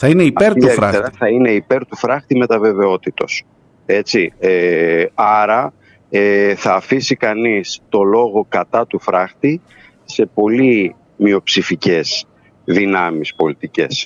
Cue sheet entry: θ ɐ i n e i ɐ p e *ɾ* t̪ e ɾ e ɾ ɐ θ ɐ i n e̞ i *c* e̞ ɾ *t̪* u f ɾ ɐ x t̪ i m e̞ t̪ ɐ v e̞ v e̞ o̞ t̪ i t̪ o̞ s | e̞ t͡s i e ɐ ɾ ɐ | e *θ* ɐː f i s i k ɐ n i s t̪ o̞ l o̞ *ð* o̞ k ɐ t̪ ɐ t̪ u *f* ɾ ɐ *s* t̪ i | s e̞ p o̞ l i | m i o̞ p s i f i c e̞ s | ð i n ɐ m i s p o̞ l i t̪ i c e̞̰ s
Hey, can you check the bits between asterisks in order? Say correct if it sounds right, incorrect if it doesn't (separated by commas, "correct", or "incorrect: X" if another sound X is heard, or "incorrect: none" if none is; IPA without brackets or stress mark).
correct, incorrect: p, correct, correct, incorrect: ɣ, correct, incorrect: x